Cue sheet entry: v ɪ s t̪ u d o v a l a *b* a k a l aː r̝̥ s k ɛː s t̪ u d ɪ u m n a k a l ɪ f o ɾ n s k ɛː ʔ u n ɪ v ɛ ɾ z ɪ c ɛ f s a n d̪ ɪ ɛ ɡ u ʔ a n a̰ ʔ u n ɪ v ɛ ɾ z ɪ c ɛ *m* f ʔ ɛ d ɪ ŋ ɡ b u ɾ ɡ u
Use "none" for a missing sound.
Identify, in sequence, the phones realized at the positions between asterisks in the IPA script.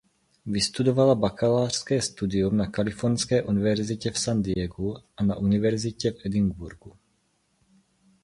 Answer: b, none

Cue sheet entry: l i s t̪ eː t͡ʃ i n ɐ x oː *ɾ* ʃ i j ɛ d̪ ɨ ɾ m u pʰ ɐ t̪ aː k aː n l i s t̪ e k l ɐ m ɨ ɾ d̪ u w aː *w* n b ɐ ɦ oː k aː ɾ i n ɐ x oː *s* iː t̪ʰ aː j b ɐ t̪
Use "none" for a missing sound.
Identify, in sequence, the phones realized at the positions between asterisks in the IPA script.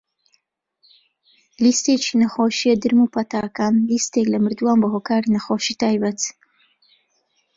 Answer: none, none, ʃ

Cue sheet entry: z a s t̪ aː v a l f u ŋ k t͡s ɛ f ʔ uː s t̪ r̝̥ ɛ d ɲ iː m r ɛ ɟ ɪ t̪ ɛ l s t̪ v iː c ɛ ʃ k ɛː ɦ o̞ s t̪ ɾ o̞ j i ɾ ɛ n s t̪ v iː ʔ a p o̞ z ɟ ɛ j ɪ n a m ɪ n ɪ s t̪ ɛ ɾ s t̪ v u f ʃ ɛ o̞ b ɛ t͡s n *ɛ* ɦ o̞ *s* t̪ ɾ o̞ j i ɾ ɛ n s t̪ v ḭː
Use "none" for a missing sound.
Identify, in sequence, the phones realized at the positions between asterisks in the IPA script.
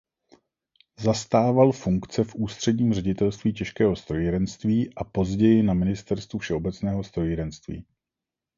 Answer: ɛː, s

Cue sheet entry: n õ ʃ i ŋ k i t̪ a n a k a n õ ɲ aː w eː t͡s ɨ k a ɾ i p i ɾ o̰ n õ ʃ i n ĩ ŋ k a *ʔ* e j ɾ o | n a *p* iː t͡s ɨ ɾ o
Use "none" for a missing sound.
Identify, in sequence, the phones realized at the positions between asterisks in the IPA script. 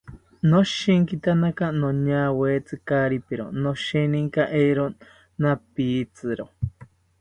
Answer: ʔ, p

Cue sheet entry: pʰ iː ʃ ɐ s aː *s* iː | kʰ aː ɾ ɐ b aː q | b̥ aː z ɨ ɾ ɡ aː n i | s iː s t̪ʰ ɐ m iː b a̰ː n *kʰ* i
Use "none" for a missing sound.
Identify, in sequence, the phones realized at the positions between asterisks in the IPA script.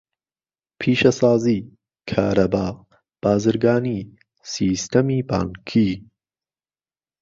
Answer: z, kʰ

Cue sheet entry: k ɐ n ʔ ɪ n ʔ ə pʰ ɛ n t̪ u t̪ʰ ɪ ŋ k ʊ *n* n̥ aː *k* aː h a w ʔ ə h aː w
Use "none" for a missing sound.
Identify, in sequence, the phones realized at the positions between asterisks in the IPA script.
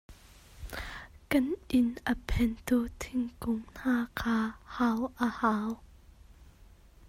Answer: ŋ, kʰ

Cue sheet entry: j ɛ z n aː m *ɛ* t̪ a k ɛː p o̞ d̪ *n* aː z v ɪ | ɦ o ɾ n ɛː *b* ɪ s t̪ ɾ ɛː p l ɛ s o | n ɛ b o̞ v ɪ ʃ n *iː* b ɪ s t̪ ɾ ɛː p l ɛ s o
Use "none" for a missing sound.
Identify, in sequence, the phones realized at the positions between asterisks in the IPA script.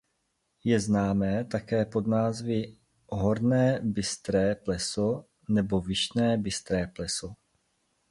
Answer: ɛː, n, b, ɛː

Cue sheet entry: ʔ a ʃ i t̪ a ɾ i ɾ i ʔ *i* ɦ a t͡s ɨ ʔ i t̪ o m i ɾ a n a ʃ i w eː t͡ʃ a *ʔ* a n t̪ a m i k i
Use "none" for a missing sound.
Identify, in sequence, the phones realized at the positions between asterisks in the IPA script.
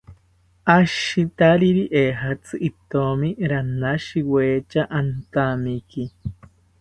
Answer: e, ʔ

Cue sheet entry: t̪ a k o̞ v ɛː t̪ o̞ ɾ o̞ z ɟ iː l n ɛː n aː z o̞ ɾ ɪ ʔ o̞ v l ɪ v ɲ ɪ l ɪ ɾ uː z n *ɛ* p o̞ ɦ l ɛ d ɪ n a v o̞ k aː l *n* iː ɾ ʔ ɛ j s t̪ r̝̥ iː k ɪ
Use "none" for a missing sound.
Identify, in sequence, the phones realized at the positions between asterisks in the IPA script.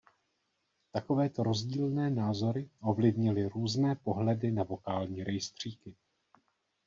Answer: ɛː, ɲ

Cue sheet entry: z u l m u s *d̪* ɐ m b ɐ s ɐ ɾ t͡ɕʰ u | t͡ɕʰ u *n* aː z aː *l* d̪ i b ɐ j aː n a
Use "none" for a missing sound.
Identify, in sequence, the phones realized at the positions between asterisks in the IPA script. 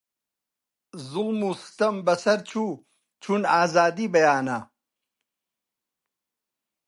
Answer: t̪, n, none

